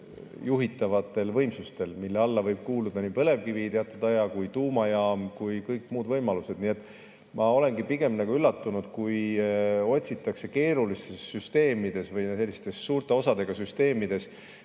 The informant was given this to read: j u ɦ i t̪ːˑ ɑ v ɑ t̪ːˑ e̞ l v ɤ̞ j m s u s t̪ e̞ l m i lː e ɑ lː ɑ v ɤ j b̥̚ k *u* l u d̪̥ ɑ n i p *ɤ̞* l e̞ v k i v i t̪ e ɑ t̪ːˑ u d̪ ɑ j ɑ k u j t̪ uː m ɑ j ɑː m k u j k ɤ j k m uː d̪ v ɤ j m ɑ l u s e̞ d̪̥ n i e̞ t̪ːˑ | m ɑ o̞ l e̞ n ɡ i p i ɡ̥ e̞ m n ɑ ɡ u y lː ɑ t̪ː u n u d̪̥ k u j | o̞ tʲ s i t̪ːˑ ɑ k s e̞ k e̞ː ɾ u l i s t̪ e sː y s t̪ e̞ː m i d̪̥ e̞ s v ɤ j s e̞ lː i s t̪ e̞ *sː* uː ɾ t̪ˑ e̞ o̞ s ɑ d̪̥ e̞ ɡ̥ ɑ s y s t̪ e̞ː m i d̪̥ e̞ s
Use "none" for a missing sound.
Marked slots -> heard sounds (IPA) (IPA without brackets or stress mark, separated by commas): uː, ɤ̞, sː